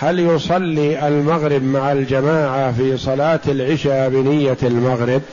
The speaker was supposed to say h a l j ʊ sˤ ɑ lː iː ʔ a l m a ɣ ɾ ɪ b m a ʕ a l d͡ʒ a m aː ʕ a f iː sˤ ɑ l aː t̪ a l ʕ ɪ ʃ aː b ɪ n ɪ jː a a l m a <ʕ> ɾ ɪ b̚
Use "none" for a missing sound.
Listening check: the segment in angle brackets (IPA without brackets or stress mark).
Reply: ɣ